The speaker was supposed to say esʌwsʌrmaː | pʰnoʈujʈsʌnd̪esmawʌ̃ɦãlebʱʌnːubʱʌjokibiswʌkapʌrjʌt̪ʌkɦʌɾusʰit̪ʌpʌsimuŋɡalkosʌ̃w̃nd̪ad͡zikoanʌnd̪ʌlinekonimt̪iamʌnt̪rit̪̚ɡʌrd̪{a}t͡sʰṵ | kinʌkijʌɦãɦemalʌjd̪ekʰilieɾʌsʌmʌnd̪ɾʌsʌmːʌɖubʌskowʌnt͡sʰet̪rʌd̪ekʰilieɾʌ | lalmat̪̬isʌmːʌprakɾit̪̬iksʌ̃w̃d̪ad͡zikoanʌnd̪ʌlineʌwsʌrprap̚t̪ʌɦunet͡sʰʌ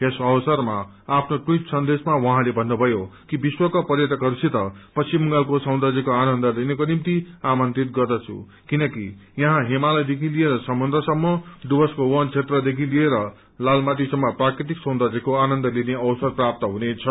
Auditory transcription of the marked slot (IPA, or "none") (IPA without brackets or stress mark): ʌ